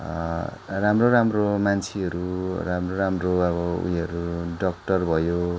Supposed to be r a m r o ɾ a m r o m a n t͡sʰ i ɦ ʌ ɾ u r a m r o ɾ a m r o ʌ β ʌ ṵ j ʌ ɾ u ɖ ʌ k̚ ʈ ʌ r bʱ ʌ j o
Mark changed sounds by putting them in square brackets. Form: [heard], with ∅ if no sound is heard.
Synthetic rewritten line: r a m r o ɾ a m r o m a n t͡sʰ i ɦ ʌ ɾ u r a m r o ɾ a m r o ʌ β ʌ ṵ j ʌ ɾ u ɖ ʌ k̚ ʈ ʌ r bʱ ʌ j o